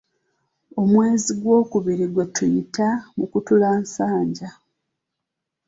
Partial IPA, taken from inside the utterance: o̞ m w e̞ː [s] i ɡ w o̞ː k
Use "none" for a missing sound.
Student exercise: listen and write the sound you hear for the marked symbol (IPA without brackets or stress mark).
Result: z